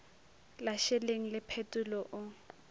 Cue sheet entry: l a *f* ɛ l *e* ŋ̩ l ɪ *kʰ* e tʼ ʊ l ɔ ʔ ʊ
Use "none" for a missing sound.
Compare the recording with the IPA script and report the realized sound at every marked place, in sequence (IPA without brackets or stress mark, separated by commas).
ʃ, e, pʰ